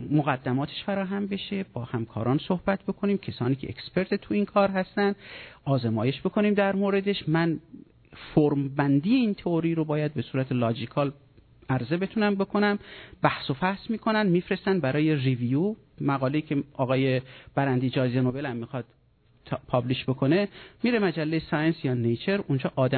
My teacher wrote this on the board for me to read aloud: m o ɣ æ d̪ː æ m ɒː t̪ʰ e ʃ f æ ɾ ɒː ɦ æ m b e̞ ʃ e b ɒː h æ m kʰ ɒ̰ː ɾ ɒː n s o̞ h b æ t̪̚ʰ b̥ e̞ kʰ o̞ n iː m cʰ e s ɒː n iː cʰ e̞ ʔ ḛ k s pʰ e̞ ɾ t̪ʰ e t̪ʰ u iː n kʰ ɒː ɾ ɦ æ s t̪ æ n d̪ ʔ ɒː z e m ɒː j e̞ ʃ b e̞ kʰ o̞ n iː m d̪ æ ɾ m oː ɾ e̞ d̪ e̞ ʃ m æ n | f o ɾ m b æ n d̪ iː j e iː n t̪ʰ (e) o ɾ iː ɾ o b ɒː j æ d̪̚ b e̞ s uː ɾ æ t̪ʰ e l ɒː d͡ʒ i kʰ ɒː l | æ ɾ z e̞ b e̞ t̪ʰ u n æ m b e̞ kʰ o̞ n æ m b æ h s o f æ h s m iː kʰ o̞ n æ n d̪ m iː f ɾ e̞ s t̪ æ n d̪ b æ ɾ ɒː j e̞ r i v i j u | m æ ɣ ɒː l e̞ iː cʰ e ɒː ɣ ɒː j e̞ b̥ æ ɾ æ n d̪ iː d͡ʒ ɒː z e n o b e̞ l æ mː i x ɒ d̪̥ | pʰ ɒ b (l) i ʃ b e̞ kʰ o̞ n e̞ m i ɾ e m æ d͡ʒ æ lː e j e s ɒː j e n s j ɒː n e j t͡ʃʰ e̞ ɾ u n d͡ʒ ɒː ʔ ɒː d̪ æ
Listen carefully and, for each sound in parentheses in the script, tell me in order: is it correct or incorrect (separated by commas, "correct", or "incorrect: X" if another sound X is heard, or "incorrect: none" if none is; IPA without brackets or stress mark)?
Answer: correct, correct